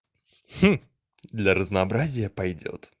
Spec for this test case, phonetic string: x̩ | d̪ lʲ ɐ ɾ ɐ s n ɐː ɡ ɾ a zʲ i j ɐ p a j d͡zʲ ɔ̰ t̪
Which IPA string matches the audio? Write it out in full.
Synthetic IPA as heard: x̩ | d̪ lʲ ɐ ɾ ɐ z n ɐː b ɾ a zʲ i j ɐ p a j d͡zʲ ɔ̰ t̪